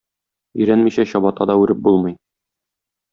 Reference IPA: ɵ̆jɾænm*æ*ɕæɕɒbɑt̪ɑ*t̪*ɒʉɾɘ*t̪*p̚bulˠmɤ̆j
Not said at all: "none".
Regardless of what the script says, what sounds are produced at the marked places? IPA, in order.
i, d̪, none

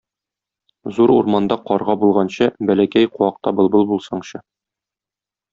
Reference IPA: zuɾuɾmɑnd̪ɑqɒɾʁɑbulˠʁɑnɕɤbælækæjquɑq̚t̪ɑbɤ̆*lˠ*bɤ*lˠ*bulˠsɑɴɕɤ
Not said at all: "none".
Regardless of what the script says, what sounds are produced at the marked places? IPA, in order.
lˠ, lˠ

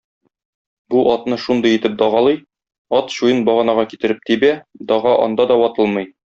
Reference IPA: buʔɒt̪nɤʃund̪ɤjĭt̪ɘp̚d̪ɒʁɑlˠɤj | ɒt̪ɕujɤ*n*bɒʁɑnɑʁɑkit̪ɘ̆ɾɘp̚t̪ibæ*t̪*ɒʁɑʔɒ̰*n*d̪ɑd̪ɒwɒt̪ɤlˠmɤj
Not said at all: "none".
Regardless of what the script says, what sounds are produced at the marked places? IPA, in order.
n, d̪, n

